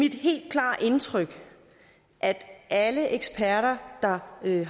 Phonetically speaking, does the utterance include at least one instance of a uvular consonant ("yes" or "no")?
yes